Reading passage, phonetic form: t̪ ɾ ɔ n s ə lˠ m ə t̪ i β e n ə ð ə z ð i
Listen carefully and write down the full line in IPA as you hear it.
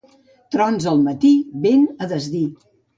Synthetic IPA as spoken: t̪ ɾ ɔ n z ə lˠ m ə t̪ i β e n ə ð ə z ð i